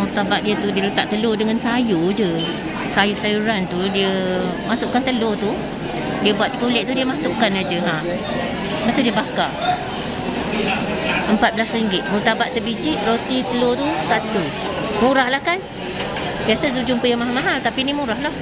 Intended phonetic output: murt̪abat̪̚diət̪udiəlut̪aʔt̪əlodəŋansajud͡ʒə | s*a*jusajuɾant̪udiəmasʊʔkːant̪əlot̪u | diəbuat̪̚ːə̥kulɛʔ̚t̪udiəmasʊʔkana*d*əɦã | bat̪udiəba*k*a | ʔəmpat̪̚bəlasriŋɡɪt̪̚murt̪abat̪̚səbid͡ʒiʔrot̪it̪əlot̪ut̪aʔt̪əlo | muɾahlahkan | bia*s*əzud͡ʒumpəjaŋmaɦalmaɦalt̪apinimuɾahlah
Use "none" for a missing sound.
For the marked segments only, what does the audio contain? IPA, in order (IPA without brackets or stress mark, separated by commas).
a, d͡ʒ, k, s